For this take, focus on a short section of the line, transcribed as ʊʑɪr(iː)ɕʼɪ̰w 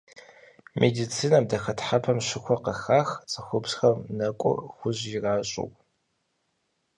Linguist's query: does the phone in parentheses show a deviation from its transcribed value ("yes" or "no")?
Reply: yes